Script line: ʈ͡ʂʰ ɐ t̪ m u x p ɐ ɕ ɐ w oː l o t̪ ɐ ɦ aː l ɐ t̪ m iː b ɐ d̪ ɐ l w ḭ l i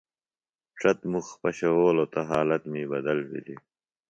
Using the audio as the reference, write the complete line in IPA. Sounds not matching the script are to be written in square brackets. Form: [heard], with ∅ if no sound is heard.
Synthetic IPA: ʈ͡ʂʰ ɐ t̪ m u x p ɐ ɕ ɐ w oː l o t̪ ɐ ɦ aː l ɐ t̪ m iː b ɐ d̪ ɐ l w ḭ l i